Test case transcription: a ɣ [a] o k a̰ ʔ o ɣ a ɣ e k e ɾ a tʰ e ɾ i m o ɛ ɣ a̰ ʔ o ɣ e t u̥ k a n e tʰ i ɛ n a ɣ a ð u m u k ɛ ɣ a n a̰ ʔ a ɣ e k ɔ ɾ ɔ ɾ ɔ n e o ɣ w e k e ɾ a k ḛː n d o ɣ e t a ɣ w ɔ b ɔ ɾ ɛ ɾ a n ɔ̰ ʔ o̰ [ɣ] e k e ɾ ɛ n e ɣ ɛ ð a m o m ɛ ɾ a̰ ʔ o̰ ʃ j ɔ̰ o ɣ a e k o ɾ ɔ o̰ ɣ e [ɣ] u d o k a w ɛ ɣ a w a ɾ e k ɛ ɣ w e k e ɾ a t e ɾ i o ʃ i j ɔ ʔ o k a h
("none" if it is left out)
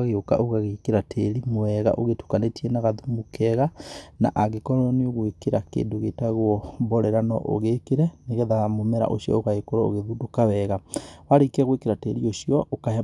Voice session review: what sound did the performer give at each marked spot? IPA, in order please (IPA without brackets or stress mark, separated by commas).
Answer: e, ɣ, ð